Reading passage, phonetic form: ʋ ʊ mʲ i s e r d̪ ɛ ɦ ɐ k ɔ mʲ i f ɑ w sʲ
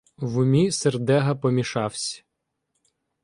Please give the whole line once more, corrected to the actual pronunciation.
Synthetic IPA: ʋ ʊ mʲ i s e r d̪ ɛ ɦ ɐ p ɔ mʲ i ʃ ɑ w sʲ